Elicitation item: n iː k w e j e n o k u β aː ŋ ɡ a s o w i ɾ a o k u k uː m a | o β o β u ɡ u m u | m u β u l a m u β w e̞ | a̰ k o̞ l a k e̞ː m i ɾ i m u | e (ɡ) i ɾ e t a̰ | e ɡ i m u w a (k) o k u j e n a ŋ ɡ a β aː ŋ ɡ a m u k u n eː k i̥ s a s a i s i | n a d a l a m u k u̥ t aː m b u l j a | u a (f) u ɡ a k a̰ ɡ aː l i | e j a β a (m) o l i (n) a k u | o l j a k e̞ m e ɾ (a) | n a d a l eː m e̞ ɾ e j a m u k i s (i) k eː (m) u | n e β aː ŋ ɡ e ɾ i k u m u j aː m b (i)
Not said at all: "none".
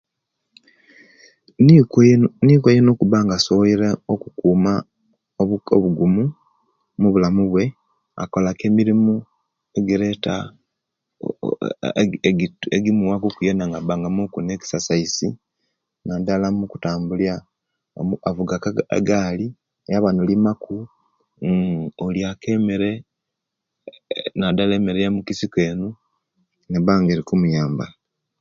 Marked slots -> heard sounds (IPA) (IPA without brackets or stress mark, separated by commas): ɡ, k, v, n, m, e, i, n, a